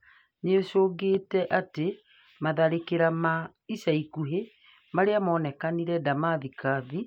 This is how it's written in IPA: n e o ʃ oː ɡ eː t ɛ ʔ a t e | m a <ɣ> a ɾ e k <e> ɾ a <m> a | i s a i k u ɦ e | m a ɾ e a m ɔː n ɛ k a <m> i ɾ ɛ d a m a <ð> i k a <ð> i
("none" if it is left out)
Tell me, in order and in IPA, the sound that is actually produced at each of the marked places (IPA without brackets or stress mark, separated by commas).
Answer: ð, e, m, n, ð, ð